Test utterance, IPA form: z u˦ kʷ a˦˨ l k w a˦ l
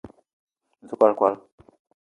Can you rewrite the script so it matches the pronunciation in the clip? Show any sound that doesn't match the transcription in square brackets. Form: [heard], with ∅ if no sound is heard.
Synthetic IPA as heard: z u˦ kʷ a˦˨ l k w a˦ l